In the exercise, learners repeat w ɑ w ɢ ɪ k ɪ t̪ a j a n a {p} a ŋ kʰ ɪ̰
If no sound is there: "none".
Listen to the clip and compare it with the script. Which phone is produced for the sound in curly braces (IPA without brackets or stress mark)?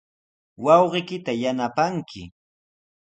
p